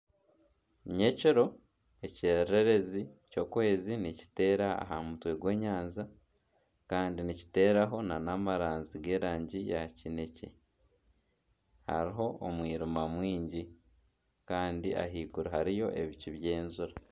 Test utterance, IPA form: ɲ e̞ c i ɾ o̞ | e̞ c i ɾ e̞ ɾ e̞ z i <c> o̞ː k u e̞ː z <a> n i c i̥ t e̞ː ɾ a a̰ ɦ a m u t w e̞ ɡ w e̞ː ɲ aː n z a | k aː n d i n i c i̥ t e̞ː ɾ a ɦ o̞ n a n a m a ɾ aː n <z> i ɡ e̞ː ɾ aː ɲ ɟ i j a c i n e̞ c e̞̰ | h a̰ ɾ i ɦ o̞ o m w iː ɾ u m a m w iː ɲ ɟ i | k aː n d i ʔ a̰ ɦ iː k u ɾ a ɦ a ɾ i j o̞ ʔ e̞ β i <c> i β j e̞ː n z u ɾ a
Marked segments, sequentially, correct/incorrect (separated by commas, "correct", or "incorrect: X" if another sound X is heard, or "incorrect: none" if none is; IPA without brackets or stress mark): correct, incorrect: i, correct, correct